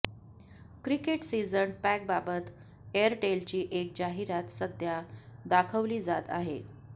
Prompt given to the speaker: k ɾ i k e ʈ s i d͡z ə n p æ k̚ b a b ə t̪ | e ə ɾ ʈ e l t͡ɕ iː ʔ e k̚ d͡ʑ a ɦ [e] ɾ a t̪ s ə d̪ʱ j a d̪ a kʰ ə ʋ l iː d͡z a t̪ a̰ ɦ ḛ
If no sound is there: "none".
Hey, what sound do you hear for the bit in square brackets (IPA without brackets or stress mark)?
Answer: i